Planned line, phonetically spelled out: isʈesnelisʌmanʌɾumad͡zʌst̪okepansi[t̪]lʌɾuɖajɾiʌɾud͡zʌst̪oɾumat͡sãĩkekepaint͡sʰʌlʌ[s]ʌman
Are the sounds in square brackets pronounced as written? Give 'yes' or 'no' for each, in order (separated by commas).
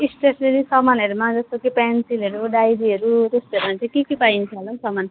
no, yes